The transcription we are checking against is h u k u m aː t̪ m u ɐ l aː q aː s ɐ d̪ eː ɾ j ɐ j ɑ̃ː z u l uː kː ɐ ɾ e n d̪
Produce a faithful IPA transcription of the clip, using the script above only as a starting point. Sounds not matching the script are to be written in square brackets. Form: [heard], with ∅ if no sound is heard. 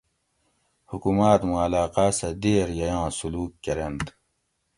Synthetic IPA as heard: h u k u m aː t̪ m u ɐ l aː q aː s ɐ d̪ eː ɾ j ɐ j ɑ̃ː [s] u l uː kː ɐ ɾ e n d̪